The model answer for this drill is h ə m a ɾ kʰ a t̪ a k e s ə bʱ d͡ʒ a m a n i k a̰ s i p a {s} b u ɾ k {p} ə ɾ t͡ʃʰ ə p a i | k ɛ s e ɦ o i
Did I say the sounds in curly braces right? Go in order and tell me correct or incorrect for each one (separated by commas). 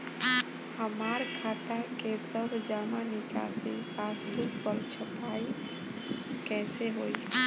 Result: correct, correct